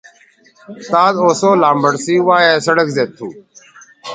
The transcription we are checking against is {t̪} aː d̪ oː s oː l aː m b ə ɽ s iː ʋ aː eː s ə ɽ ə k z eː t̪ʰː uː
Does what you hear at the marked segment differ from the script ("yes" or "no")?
no